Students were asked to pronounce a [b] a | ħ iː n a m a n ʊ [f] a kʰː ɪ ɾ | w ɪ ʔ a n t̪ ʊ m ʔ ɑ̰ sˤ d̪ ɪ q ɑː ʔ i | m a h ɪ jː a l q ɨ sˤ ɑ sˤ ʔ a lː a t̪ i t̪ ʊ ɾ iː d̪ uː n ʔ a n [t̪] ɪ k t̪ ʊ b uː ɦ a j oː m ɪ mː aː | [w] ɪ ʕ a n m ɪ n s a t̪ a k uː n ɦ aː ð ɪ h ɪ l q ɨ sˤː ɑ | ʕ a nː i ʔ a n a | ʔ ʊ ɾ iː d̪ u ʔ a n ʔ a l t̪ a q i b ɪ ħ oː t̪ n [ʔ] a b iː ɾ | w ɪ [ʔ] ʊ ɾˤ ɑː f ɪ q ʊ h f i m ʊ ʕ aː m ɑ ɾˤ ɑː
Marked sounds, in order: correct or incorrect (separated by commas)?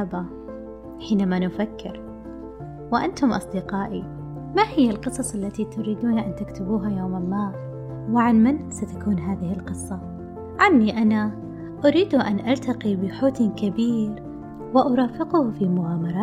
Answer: correct, correct, correct, correct, incorrect, correct